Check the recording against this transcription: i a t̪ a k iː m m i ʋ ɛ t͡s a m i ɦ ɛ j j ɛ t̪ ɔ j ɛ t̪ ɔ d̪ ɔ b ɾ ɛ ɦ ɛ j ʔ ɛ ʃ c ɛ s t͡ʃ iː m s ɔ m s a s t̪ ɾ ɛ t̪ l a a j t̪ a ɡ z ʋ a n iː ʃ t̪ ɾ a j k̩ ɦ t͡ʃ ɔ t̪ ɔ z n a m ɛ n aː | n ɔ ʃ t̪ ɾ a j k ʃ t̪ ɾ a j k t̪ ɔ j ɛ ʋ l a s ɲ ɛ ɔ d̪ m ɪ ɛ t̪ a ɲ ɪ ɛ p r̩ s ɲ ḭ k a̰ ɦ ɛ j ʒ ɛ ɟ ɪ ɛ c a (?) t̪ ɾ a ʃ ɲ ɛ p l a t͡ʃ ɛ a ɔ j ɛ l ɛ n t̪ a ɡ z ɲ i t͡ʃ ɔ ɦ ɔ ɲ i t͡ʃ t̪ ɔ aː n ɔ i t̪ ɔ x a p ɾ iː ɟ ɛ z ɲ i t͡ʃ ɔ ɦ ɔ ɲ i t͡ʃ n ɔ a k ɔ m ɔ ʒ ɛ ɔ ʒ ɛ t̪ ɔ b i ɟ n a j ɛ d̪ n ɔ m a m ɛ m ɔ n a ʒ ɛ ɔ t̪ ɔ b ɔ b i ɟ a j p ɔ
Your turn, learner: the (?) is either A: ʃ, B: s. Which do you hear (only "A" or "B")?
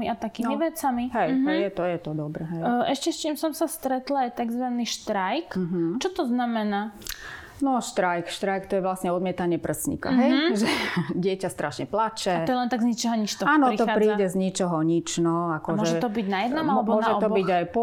B